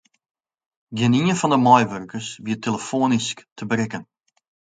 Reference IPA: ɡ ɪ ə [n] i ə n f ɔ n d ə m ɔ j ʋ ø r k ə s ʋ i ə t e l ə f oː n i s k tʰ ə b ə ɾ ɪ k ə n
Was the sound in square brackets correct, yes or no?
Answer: yes